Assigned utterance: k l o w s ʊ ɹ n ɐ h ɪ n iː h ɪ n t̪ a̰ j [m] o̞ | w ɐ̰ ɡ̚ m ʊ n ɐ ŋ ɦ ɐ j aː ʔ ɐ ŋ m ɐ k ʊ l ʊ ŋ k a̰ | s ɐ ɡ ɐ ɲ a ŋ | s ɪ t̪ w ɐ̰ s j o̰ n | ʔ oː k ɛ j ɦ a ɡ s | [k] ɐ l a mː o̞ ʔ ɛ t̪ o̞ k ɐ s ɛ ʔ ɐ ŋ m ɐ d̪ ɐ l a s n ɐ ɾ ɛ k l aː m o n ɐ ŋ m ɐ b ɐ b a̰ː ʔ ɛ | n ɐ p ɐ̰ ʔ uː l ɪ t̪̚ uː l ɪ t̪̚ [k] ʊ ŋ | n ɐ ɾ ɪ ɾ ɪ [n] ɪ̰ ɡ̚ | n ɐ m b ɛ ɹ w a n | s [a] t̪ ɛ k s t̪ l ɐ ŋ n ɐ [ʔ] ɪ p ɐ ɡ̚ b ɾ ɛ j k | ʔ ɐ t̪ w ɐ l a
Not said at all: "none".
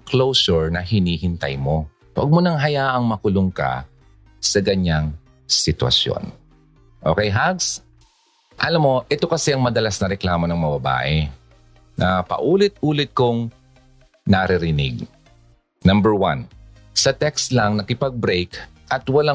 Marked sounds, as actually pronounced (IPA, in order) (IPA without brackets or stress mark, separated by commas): m, ʔ, k, n, ɐ, k